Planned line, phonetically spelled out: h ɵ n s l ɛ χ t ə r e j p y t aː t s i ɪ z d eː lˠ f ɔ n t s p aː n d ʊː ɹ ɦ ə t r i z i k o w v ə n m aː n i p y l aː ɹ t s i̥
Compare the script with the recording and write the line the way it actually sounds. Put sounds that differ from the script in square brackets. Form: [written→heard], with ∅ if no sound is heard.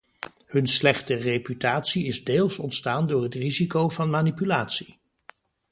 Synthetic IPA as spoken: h ɵ n s l ɛ χ t ə r e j p y t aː t s i ɪ z d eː lˠ [f→s] ɔ n t s [p→t] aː n d ʊː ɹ ɦ ə t r i z i k o w v [ə→ɑ] n m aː n i p y l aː [ɹ→∅] t s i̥